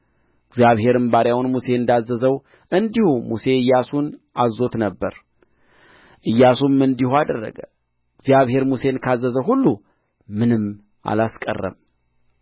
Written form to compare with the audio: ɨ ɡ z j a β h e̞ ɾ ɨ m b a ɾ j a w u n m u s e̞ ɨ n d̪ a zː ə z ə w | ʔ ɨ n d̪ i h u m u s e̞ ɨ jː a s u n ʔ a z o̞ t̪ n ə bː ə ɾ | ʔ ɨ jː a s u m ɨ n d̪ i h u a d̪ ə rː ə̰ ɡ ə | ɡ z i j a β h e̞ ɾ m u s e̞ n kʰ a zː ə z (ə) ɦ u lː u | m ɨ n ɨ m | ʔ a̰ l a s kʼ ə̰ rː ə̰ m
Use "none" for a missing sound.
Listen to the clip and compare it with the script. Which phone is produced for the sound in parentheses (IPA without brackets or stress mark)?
ə